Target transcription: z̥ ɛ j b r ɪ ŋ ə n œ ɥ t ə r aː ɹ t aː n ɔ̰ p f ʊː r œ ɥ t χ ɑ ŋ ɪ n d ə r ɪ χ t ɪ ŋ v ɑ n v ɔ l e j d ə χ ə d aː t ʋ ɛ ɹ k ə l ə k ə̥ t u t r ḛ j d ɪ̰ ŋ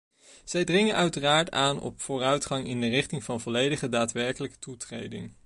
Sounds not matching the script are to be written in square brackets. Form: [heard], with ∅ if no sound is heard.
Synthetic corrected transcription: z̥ ɛ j [d] r ɪ ŋ ə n œ ɥ t ə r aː ɹ t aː n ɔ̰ p f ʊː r œ ɥ t χ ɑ ŋ ɪ n d ə r ɪ χ t ɪ ŋ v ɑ n v ɔ l e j d ə χ ə d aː t ʋ ɛ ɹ k ə l ə k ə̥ t u t r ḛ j d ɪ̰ ŋ